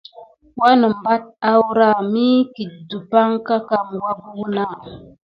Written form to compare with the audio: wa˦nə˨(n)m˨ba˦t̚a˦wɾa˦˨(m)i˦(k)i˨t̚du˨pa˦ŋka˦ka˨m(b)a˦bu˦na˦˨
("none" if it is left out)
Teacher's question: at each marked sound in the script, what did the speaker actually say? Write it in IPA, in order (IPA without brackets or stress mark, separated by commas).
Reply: none, m, k, w